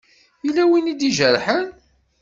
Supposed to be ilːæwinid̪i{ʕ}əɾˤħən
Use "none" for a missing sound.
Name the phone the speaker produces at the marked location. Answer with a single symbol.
ʒ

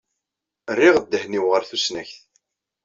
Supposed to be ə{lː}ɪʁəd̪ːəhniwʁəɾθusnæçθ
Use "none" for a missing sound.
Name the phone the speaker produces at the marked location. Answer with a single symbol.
rː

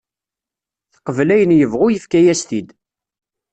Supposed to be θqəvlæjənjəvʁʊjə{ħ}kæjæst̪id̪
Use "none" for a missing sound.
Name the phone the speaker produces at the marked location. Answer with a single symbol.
f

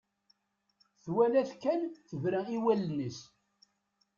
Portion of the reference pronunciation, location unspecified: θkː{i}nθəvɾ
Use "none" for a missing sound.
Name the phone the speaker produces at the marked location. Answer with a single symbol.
æ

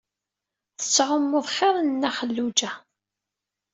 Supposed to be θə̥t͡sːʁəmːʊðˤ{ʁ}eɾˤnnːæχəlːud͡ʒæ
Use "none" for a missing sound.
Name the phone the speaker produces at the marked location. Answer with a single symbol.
χ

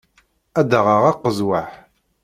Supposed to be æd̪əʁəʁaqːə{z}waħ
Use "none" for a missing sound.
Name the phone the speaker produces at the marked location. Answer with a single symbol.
z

